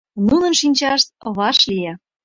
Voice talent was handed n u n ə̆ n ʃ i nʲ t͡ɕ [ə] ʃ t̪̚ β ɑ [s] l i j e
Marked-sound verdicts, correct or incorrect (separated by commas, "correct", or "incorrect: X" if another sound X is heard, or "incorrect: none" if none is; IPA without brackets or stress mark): incorrect: ɑ, incorrect: ʃ